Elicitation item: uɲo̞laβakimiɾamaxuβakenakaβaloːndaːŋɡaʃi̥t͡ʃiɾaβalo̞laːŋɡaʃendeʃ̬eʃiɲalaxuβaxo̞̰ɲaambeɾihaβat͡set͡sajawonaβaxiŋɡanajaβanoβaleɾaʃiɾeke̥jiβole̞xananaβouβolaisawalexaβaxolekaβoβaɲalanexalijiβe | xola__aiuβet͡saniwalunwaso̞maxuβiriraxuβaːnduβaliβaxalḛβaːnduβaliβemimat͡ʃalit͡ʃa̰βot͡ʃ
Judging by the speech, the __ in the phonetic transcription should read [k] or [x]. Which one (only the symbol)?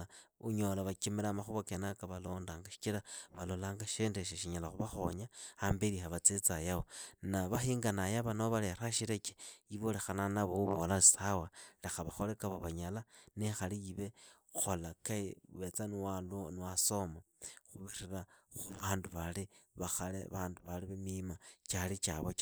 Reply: k